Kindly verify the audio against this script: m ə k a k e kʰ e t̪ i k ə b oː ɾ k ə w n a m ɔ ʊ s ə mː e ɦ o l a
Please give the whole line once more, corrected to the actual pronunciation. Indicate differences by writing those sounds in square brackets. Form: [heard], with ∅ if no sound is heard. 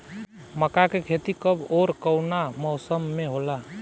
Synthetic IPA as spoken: m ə k a k e kʰ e t̪ i k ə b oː ɾ k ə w n a m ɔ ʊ s ə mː e ɦ o l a